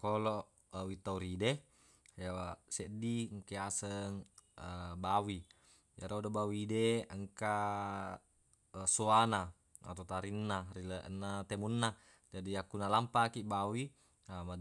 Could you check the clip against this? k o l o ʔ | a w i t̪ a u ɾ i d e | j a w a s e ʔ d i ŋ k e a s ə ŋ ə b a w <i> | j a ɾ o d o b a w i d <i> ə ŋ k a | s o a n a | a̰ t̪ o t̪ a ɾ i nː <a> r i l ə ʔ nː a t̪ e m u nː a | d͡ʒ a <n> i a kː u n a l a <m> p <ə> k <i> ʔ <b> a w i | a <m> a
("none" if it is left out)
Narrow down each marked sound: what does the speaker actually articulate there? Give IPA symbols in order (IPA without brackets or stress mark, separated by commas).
i, e, a, d, m, a, i, b, m